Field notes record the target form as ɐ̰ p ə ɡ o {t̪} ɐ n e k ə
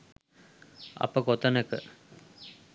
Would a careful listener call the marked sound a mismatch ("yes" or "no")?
no